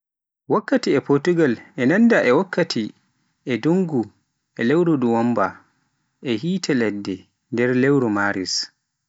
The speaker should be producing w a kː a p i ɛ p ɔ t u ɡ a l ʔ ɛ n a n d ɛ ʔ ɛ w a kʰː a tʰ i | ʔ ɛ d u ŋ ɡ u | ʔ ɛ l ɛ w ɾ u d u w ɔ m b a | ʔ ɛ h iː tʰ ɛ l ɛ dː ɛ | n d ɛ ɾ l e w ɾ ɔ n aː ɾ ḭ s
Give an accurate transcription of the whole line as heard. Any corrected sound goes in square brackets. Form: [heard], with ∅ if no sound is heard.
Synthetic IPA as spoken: w a kː a [t] i ɛ p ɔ t u ɡ a l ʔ ɛ n a n d [a] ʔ ɛ w a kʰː a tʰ i | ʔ ɛ d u ŋ ɡ u | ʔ ɛ l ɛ w ɾ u d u w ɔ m b a | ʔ ɛ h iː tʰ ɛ l ɛ dː ɛ | n d ɛ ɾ l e w ɾ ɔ [m] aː ɾ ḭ s